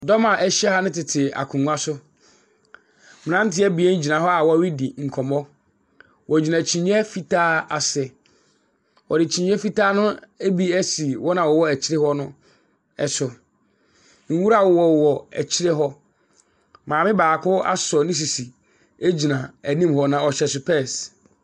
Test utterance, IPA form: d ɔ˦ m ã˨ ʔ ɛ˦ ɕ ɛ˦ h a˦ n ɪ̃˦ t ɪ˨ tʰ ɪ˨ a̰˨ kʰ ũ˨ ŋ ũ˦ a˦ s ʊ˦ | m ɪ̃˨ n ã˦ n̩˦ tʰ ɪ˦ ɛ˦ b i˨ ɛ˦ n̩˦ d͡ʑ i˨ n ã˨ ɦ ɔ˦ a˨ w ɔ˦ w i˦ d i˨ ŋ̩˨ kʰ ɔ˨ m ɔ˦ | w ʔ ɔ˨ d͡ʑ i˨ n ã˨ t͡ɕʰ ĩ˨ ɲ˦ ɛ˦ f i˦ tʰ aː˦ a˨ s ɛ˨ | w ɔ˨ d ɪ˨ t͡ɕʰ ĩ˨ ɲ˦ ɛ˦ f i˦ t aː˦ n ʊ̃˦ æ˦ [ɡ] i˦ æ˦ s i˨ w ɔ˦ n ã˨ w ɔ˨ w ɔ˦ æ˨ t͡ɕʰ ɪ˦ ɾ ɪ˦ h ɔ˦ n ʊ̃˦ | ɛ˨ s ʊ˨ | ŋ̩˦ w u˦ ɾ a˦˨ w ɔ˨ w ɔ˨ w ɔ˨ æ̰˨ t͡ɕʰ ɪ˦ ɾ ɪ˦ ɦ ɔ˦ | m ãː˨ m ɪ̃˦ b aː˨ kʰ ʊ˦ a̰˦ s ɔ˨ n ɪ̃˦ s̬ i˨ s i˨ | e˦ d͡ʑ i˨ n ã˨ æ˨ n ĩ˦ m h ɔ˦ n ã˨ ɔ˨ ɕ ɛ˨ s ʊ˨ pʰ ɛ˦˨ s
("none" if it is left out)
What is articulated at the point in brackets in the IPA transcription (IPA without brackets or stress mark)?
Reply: b